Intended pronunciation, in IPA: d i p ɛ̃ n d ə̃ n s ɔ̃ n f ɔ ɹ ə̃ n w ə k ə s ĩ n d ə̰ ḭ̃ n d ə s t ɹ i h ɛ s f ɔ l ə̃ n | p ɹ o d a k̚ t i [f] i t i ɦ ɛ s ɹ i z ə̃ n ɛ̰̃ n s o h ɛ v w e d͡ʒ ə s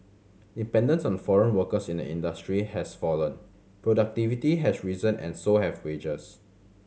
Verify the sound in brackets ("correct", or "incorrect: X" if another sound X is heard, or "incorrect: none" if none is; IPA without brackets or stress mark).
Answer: incorrect: v